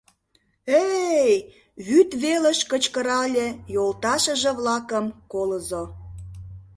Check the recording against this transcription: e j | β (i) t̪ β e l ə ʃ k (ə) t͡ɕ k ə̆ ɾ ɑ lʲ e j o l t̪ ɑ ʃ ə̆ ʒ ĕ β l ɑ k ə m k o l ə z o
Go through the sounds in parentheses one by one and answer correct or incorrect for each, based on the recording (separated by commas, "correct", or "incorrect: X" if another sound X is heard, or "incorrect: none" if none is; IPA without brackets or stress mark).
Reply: incorrect: y, correct